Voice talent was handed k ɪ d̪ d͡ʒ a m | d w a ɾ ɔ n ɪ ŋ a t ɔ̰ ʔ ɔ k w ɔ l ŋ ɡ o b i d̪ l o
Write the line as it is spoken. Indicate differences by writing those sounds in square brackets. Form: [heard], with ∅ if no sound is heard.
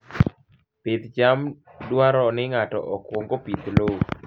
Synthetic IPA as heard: [p] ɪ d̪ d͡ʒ a m | d w a ɾ ɔ n ɪ ŋ a t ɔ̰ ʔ ɔ k w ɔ [∅] ŋ ɡ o [p] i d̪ l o